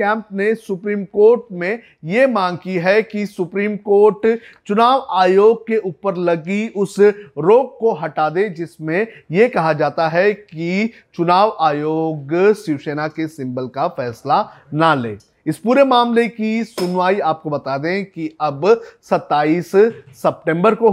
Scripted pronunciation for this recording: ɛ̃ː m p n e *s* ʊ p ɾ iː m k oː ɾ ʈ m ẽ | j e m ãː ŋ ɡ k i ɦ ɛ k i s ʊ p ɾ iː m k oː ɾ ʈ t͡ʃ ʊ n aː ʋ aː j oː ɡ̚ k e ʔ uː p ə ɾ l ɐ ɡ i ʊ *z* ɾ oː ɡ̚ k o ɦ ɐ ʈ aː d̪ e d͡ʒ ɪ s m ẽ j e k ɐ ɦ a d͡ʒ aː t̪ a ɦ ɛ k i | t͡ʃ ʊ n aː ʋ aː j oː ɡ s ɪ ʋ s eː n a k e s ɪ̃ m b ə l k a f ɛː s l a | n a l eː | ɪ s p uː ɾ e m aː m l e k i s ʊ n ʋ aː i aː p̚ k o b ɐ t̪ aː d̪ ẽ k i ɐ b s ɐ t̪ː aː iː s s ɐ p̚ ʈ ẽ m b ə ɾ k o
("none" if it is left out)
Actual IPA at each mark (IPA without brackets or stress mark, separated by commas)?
s, s